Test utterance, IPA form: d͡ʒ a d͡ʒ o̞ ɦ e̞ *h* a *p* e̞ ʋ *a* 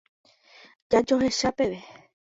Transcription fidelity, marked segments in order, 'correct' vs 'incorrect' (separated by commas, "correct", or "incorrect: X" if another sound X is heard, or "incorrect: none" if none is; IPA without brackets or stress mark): incorrect: ʃ, correct, incorrect: e